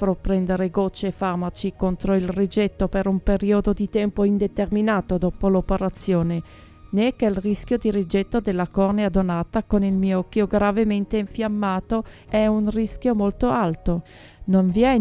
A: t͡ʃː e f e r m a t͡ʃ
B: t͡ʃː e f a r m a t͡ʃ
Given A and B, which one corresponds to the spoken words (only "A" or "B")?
B